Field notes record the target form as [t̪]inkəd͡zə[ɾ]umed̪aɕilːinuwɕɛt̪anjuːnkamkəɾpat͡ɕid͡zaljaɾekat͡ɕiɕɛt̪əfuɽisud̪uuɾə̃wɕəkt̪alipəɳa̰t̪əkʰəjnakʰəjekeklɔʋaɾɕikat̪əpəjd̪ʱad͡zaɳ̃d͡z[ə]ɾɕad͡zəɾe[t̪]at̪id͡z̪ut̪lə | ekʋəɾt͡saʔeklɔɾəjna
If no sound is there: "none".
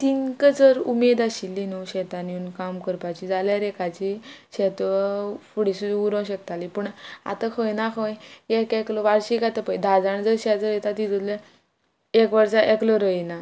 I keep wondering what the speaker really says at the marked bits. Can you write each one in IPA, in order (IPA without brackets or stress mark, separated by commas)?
t̪, ɾ, ə, t̪